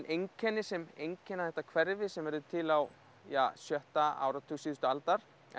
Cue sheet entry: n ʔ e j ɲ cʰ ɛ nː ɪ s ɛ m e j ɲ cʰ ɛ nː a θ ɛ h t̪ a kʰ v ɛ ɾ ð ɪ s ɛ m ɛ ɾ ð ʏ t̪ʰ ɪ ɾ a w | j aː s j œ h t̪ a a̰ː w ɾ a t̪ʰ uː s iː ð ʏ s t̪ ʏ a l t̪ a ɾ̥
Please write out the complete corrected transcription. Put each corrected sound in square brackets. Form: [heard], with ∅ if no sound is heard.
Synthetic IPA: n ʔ e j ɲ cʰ ɛ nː ɪ s ɛ m e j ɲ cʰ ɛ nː a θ ɛ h t̪ a kʰ v ɛ ɾ [v] ɪ s ɛ m ɛ ɾ ð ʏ t̪ʰ ɪ [l] a w | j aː s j œ h t̪ a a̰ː w ɾ a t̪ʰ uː s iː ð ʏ s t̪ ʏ a l t̪ a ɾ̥